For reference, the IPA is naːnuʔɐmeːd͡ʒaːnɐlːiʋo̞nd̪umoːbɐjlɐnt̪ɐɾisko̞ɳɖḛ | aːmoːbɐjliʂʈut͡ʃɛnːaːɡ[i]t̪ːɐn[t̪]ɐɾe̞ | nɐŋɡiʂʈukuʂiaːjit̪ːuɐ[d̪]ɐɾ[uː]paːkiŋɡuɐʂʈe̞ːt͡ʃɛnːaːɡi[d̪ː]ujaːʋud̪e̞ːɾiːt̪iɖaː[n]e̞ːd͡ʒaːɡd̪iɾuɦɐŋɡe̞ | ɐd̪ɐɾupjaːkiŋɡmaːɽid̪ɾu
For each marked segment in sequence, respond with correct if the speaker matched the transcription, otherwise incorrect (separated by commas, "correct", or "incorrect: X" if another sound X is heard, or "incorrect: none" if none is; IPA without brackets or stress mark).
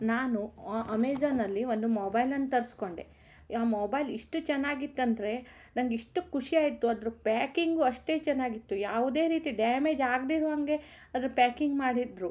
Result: correct, incorrect: d̪, correct, incorrect: u, incorrect: t̪ː, incorrect: m